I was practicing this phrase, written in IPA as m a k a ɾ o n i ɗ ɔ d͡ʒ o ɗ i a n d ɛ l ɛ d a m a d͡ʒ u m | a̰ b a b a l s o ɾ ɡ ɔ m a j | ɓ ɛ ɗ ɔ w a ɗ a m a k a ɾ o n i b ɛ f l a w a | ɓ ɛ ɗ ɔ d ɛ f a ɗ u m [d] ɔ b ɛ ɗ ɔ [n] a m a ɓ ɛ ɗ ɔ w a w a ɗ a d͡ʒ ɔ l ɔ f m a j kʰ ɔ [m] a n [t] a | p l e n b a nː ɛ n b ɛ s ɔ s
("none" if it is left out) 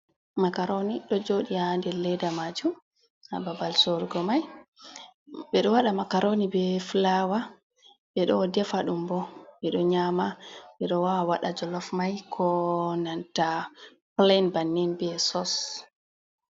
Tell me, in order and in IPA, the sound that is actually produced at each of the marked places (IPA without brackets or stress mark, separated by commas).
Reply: b, ɲ, n, t